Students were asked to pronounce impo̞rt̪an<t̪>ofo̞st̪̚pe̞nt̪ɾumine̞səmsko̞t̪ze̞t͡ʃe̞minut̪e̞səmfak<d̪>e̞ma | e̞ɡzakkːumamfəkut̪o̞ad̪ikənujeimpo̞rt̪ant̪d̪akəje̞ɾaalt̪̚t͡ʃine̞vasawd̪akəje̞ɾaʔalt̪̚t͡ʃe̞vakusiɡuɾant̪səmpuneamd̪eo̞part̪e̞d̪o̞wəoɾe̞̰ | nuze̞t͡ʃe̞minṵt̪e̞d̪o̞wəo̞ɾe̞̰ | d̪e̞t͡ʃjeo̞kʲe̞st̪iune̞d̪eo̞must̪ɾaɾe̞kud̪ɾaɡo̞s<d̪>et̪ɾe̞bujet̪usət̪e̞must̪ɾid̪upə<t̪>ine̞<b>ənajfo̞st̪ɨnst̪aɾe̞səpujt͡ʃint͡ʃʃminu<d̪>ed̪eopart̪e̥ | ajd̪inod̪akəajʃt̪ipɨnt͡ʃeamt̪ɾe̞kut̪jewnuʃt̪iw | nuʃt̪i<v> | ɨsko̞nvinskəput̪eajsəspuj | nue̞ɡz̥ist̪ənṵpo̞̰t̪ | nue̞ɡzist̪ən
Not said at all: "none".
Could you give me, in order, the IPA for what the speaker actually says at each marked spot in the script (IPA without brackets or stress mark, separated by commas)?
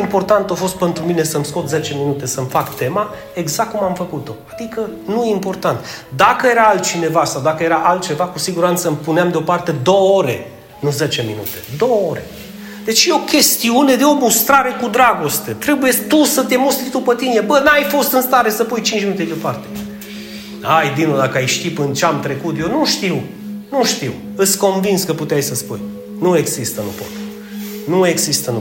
t̪, t̪, t̪, t̪, b, t̪, w